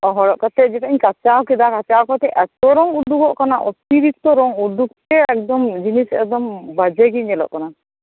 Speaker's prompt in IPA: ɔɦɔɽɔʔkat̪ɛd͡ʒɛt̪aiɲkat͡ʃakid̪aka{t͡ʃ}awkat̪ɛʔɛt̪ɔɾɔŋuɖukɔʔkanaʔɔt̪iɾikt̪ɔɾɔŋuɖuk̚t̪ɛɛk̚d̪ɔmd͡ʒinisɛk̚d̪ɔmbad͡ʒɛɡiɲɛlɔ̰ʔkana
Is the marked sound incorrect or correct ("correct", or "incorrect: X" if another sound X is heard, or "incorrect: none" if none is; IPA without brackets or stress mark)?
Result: correct